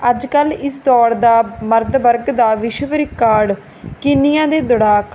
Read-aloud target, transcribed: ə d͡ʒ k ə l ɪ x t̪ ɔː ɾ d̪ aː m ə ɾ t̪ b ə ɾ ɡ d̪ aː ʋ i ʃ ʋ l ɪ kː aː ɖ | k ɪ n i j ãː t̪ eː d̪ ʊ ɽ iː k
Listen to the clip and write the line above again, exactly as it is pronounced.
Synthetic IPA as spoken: ə d͡ʒ k ə l ɪ s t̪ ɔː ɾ d̪ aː m ə ɾ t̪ b ə ɾ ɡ d̪ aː ʋ ɪ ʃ ʋ ɾ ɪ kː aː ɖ | k ɪ n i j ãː d̪ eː d̪ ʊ ɽ aː k